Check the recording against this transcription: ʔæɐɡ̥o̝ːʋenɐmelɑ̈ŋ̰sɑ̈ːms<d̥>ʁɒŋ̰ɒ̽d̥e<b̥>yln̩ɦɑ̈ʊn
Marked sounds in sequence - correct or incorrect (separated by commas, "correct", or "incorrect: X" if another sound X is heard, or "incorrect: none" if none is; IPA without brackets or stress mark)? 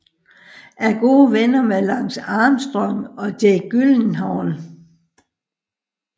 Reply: correct, incorrect: ɡ̥